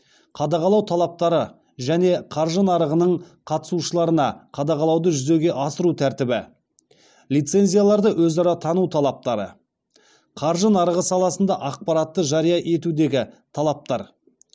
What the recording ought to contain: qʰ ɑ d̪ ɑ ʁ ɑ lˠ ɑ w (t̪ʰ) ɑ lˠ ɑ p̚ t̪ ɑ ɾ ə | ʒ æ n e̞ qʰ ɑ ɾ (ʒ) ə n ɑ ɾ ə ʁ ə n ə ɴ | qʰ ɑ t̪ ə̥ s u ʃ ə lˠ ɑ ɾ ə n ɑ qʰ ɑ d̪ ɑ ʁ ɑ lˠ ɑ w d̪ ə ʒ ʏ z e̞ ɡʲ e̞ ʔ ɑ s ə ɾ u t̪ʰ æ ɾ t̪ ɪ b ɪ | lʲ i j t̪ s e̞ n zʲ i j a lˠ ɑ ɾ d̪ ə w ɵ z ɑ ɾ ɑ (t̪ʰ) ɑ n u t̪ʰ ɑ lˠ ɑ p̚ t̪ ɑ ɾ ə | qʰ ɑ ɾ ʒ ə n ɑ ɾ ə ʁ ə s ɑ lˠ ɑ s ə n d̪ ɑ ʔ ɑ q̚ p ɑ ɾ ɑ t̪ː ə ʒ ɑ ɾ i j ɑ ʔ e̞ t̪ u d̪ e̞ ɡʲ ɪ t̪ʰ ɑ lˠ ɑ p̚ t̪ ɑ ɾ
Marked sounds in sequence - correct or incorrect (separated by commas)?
correct, correct, correct